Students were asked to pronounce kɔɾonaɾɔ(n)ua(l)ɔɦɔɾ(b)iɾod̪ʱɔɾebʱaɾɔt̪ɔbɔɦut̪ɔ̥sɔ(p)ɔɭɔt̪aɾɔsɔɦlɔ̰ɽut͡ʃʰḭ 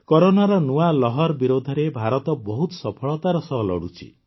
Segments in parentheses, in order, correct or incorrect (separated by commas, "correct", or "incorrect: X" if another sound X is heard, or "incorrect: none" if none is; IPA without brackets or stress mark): correct, correct, correct, incorrect: pʰ